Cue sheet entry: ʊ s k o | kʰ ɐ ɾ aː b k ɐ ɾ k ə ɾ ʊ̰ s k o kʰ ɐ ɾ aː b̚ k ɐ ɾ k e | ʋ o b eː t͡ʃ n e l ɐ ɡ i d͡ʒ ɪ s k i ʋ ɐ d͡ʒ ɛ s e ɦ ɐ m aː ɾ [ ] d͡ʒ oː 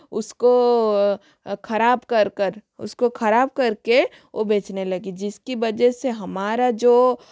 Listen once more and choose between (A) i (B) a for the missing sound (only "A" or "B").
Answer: B